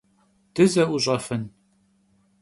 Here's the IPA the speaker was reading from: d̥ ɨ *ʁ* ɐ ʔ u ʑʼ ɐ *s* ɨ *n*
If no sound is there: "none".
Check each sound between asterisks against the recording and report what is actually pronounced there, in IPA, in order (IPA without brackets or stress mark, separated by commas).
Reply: z, f, n